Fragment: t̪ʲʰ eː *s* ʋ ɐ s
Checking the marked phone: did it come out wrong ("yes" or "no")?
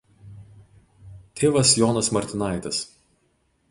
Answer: yes